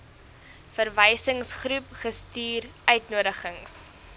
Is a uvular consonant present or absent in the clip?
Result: present